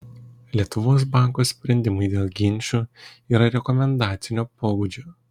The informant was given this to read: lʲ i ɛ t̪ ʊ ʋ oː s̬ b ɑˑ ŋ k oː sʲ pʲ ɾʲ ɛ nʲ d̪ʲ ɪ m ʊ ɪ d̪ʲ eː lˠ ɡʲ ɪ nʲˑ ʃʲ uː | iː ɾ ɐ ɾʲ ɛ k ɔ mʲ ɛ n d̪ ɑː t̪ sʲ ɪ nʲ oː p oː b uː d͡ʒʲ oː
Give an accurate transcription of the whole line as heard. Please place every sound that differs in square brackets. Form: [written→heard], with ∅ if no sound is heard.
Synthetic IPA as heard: lʲ i ɛ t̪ ʊ ʋ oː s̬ b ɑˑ ŋ k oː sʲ pʲ ɾʲ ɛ nʲ d̪ʲ ɪ m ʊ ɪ d̪ʲ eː lˠ ɡʲ ɪ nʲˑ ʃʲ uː | iː ɾ ɐ ɾʲ ɛ k ɔ mʲ ɛ n d̪ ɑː t̪ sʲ ɪ nʲ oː p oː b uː d͡ʒʲ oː